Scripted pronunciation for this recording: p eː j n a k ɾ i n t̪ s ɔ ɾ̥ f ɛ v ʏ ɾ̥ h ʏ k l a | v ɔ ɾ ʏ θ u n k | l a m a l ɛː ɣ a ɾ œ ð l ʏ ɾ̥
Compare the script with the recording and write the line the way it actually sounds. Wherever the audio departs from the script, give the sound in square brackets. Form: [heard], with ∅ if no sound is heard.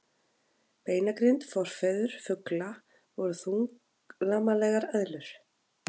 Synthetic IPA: p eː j n a k ɾ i n t̪ [f] ɔ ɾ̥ f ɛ [ð] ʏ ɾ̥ [f] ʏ k l a | v ɔ ɾ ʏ θ u [ŋ] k | l a m a l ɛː ɣ a ɾ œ ð l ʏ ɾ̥

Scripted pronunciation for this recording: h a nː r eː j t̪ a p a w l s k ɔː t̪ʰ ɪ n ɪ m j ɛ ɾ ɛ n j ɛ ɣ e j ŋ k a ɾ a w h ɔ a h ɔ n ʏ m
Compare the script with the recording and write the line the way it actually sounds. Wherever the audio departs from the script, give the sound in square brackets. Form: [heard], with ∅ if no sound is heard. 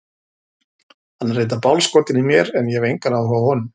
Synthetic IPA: h a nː r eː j t̪ a p a w l s k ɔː [t̪] ɪ n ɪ m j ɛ ɾ ɛ n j ɛ [v] e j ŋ k a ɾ a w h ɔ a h ɔ n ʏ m

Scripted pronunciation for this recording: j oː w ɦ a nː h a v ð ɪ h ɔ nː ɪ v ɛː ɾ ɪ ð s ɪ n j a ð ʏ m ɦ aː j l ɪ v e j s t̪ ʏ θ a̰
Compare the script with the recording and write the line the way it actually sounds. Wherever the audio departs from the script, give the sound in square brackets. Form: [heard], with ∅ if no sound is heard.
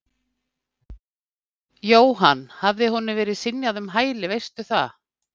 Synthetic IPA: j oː w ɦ a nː h a v ð ɪ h ɔ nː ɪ v ɛː ɾ ɪ ð s ɪ n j a ð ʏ m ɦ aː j l ɪ v e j s t̪ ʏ θ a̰

